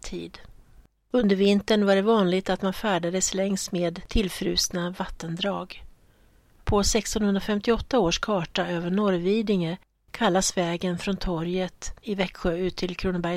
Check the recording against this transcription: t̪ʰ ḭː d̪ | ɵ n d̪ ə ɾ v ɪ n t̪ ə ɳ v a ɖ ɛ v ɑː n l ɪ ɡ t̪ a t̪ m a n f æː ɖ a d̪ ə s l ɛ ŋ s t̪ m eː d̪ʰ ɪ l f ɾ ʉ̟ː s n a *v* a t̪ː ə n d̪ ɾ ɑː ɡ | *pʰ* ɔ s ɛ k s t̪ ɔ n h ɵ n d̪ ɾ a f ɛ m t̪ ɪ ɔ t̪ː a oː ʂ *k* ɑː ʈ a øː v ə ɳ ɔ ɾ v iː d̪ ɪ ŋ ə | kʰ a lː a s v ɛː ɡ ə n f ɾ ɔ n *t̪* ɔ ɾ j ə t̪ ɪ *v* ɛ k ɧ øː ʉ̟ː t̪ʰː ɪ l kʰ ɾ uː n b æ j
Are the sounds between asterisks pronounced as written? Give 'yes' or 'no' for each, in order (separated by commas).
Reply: yes, yes, no, no, yes